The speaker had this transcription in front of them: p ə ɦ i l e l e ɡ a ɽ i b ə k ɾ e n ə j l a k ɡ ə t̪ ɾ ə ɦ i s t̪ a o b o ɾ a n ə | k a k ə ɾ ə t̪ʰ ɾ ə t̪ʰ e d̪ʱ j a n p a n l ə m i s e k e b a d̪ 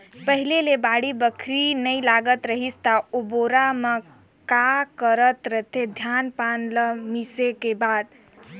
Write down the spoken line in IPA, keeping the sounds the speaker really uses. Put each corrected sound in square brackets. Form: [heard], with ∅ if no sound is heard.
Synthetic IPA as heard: p ə ɦ i l e l e [b] a ɽ i b ə [kʰ] ɾ [i] n ə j l a [∅] ɡ ə t̪ ɾ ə ɦ i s t̪ a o b o ɾ a [m] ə | k a k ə ɾ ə [t̪] ɾ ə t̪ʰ e d̪ʱ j a n p a n l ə m i s e k e b a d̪